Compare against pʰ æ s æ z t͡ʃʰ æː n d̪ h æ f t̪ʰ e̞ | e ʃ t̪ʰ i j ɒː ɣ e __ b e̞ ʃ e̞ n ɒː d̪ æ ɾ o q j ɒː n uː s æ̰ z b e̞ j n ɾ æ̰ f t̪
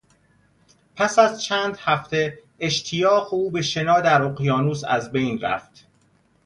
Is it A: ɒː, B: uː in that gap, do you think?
B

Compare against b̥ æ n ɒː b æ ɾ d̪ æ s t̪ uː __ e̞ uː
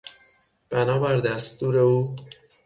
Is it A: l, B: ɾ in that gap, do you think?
B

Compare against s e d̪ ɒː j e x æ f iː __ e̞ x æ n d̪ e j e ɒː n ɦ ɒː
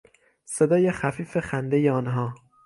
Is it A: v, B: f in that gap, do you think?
B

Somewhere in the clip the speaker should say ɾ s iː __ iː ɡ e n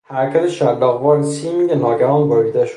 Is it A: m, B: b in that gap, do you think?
A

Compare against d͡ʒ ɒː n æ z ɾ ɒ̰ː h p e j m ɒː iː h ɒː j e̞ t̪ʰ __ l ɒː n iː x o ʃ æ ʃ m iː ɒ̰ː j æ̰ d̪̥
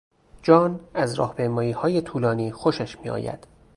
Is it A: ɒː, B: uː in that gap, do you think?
B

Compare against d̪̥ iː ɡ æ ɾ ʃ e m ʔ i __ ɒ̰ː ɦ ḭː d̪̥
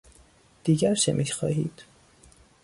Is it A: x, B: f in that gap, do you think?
A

